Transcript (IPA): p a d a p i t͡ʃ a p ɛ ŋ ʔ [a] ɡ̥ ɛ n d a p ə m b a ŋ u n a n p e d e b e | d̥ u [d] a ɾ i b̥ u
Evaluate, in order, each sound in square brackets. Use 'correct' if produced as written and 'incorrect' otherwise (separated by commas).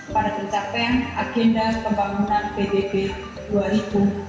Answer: correct, incorrect